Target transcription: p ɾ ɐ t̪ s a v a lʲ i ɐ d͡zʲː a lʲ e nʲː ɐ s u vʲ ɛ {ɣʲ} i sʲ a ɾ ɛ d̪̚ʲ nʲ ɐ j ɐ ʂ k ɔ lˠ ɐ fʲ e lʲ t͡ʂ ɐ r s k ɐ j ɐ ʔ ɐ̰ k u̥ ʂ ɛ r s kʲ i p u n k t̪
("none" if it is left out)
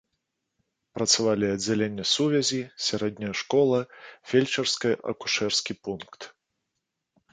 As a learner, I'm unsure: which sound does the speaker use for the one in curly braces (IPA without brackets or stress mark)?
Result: zʲ